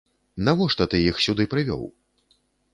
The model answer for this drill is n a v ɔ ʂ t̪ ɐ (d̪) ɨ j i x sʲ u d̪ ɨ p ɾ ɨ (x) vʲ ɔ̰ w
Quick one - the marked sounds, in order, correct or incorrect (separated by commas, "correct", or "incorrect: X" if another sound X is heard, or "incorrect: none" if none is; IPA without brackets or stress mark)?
incorrect: t̪, incorrect: none